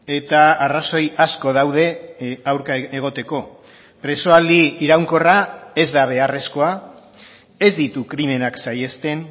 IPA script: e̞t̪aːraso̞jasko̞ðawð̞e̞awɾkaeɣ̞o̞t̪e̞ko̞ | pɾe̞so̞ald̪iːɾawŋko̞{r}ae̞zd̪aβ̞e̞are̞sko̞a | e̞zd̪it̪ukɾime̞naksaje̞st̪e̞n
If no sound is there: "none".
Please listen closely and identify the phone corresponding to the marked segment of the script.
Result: r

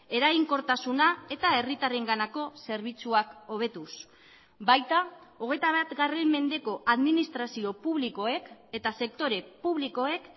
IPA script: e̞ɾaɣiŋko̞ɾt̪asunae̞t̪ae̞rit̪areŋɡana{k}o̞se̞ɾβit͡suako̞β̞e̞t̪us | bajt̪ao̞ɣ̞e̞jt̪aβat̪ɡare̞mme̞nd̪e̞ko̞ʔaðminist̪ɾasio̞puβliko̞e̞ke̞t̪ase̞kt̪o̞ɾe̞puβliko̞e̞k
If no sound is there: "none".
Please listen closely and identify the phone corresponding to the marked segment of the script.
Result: k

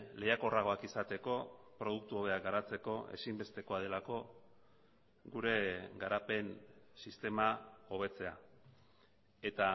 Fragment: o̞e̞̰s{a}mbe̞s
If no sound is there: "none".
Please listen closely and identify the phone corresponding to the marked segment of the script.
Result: i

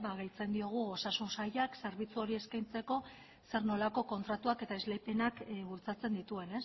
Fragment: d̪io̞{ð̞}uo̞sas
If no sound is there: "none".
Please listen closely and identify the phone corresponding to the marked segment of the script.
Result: ɣ̞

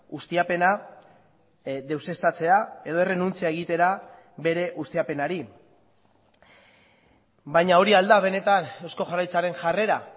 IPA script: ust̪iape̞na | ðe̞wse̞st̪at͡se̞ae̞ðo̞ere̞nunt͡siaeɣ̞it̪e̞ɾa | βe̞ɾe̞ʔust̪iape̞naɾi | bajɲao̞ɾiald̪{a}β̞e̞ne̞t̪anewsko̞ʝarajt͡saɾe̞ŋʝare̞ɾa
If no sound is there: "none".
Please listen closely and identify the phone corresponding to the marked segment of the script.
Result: a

